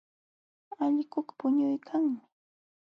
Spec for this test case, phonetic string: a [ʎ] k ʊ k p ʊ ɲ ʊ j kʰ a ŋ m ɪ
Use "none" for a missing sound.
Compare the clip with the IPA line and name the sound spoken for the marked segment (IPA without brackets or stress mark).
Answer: ʎ